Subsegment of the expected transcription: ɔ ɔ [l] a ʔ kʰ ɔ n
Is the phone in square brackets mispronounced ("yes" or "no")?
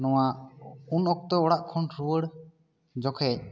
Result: yes